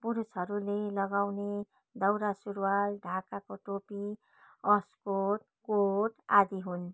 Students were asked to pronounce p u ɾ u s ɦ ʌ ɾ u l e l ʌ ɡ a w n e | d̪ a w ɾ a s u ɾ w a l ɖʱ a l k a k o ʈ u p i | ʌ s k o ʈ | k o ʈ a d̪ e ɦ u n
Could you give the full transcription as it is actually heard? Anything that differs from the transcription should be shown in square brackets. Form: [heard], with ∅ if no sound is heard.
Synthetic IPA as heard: p u ɾ u s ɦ ʌ ɾ u l e l ʌ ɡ a w n e | d̪ [ʌ] w ɾ a s u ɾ w a l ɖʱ a [∅] k a k o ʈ [o] p i | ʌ s k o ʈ | k o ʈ a d̪ [i] ɦ u n